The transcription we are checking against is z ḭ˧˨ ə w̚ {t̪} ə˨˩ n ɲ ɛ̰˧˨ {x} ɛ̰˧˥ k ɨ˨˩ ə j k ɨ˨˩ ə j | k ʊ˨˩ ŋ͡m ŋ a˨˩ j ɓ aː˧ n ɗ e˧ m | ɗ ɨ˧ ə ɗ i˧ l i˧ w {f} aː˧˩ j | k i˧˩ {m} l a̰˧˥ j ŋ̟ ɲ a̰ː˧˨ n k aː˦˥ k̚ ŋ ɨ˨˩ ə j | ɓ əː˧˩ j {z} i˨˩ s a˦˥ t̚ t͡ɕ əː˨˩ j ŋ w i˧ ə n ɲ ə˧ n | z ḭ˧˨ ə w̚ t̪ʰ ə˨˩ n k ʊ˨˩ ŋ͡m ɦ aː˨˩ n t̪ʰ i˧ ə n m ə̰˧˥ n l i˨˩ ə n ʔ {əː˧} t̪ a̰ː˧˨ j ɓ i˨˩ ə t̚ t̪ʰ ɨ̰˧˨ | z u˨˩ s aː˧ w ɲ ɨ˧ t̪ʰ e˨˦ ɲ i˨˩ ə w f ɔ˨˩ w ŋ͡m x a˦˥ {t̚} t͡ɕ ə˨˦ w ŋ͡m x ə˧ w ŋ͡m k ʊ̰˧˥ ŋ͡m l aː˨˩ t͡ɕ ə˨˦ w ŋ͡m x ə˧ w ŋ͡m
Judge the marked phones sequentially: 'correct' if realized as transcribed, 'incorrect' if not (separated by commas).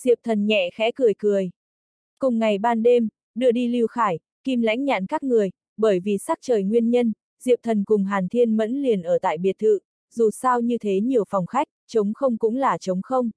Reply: incorrect, correct, incorrect, correct, incorrect, incorrect, incorrect